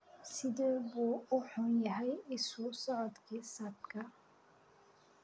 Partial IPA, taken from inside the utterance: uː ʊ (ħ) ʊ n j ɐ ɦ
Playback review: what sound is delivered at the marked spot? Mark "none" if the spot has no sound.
ħ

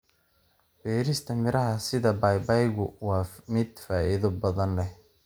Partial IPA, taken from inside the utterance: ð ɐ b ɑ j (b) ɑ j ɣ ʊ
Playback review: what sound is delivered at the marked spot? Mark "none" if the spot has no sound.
b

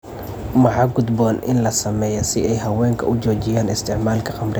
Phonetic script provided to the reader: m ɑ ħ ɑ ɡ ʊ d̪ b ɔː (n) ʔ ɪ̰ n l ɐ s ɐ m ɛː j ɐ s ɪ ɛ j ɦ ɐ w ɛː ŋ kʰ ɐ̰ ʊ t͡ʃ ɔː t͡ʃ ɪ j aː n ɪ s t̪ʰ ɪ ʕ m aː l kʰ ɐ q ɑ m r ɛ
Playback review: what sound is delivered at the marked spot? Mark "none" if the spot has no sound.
n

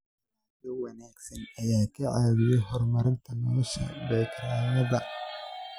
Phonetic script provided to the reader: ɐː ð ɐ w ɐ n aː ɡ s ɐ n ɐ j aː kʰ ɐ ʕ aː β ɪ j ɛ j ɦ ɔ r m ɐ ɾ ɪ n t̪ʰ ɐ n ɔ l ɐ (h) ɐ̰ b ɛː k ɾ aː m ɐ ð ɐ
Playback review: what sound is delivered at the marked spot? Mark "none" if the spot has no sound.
ʃ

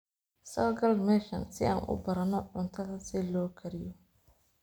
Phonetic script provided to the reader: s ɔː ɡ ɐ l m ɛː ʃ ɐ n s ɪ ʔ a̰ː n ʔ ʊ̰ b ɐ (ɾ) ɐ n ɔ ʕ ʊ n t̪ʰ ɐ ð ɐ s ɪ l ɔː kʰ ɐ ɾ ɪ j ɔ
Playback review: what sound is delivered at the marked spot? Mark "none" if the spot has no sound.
ɾ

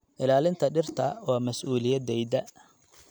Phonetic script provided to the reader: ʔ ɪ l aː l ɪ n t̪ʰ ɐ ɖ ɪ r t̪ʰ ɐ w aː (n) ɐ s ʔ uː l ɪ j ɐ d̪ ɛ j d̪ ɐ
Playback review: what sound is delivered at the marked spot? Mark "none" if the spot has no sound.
m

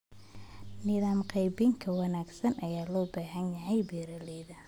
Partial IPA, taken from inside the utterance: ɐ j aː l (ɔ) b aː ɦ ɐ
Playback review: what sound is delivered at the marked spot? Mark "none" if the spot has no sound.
ɔː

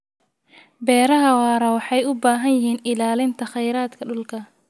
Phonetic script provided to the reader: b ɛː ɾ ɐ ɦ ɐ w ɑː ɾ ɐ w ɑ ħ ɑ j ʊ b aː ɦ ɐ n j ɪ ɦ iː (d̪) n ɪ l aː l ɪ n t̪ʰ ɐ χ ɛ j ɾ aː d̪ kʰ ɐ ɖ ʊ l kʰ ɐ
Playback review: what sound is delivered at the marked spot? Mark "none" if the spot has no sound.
none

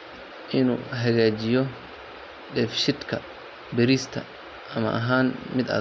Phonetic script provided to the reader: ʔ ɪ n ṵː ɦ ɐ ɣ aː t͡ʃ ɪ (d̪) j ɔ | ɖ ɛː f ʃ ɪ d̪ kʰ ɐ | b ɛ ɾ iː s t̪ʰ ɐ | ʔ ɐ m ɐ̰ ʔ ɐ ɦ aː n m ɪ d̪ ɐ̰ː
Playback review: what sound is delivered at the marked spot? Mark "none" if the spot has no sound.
none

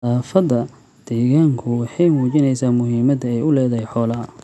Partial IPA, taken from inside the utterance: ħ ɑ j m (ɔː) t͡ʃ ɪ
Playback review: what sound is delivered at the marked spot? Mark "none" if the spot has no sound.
uː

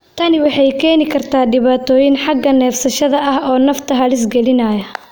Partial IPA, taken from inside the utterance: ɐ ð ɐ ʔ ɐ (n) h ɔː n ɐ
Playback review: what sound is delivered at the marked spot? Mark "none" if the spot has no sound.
none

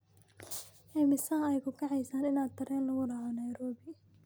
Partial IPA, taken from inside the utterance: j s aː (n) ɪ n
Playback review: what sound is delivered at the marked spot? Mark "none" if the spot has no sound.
n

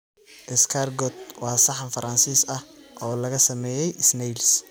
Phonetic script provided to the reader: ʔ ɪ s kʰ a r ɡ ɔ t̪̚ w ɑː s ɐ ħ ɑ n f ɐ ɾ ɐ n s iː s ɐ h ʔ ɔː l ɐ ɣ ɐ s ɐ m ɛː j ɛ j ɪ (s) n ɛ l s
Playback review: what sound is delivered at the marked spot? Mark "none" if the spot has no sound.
s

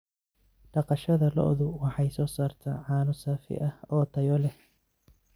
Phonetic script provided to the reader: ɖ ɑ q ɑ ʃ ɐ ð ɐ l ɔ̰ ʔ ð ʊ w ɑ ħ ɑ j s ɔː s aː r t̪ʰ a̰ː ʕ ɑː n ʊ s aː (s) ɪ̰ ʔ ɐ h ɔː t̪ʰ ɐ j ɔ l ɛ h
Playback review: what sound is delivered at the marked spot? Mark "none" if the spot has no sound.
f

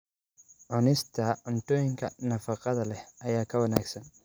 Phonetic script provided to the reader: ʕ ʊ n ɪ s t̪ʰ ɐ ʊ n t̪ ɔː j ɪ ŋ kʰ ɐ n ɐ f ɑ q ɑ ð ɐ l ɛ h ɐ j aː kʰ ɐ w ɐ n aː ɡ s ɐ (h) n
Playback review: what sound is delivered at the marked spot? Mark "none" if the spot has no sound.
none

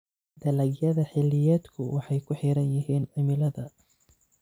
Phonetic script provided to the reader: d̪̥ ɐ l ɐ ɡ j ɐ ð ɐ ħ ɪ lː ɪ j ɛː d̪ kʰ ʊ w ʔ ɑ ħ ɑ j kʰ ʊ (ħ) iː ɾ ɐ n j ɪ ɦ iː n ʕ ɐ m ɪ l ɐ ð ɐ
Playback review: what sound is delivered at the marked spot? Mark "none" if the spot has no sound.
ħ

